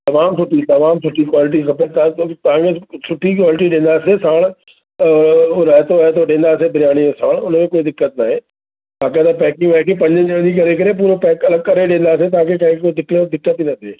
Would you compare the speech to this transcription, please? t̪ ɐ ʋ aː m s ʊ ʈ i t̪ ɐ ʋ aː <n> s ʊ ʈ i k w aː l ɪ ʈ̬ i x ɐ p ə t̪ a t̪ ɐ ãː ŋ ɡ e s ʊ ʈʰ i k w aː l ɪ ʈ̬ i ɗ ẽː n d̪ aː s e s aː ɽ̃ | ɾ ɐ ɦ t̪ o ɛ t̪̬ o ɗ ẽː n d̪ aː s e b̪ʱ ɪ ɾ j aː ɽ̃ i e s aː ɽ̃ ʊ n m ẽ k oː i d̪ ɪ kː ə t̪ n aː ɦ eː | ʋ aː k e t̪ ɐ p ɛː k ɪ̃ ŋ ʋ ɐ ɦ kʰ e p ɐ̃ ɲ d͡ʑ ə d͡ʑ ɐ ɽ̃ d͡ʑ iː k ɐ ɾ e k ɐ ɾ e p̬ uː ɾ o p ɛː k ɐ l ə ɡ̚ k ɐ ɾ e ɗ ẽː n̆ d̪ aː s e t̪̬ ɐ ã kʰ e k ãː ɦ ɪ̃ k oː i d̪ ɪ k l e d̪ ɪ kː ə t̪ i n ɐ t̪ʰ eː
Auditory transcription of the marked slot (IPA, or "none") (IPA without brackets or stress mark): m